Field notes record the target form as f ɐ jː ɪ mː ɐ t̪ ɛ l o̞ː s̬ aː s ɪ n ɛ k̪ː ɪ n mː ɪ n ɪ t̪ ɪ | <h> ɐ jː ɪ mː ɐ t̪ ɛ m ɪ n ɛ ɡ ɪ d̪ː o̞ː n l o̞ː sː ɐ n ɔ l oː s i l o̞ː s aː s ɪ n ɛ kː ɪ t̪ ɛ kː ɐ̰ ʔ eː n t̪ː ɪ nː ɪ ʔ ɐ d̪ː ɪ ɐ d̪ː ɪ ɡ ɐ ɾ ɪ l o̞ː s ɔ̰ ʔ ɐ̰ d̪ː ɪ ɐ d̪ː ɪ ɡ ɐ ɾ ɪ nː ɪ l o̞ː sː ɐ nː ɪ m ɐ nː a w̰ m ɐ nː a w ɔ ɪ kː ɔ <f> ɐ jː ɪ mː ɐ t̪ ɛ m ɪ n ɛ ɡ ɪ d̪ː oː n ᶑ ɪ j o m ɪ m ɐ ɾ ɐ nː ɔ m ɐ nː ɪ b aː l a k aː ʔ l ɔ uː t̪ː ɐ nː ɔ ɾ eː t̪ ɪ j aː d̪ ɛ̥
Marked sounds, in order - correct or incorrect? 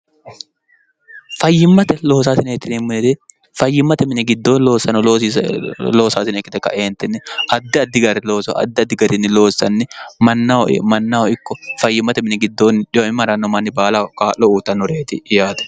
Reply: incorrect, correct

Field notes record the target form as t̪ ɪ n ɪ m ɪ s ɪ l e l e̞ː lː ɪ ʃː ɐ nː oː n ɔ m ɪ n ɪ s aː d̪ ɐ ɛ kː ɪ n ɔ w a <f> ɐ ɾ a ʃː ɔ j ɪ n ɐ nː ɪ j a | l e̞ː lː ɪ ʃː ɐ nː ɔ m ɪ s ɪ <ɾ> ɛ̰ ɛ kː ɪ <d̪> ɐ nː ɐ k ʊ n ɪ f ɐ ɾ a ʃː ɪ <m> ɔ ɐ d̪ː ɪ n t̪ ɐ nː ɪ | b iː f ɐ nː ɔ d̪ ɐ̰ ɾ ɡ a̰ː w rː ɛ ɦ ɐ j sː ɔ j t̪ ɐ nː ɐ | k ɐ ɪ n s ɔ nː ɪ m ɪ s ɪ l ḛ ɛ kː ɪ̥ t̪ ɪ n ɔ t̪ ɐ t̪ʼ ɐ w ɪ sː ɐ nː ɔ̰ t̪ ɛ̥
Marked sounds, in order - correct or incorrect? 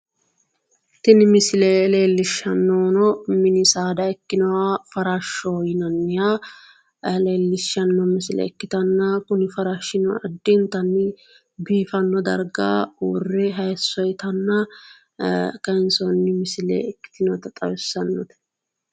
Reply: correct, incorrect, incorrect, incorrect

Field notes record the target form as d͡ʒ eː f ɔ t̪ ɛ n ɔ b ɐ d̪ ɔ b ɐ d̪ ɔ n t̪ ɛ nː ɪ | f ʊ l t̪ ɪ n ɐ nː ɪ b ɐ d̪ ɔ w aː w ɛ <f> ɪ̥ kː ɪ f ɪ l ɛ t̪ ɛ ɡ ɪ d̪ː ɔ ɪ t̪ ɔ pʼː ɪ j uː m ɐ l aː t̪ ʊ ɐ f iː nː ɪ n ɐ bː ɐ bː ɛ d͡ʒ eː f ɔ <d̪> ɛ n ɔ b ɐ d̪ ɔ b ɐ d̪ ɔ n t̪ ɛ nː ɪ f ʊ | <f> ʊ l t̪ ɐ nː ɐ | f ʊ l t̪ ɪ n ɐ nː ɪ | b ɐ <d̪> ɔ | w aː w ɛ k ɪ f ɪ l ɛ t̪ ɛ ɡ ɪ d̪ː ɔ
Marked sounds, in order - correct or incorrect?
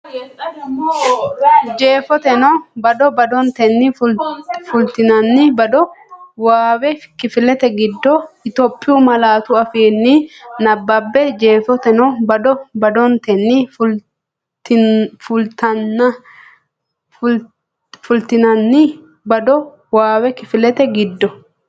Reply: correct, incorrect, correct, correct

